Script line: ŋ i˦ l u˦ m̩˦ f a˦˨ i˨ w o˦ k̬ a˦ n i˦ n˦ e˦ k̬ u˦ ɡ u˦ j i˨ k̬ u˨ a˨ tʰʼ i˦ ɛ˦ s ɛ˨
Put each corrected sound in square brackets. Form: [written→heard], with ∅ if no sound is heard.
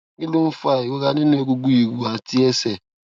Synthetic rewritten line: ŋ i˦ l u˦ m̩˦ f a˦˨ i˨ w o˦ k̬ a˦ n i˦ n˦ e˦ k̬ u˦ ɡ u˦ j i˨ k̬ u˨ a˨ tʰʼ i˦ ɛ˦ s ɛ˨